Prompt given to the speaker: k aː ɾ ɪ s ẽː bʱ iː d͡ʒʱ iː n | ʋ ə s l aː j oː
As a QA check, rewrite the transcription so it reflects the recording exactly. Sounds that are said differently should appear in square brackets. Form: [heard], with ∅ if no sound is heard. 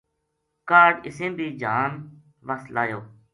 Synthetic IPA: k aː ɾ ɪ s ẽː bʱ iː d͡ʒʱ [aː] n | ʋ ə s l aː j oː